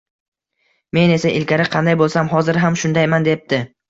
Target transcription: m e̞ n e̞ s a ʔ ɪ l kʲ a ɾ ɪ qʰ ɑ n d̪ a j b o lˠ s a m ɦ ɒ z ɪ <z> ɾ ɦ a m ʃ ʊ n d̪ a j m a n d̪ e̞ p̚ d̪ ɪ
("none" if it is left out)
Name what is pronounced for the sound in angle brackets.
none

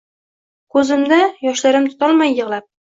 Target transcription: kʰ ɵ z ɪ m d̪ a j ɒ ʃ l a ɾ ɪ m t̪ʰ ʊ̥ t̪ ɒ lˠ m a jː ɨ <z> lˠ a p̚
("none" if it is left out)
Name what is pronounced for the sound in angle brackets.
ʁ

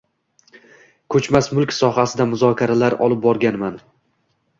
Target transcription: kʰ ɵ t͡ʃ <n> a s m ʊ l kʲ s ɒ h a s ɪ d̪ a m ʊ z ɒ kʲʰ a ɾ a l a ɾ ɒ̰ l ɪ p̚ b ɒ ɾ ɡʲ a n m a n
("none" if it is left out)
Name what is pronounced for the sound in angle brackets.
m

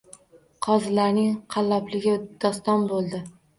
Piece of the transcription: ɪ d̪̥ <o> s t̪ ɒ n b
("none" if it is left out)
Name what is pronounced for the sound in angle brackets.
ɒ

